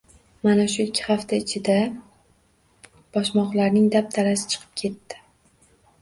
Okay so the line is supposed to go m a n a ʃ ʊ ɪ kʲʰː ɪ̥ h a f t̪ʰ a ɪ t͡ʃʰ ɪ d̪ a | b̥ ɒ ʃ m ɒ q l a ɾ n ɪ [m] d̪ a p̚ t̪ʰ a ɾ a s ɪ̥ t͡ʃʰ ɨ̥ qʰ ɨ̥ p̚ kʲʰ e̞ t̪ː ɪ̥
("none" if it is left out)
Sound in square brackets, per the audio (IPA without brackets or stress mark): ŋ